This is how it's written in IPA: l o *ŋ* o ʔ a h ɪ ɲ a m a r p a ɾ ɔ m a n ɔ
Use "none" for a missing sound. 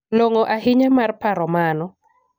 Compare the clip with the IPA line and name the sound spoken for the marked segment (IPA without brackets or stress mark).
ŋ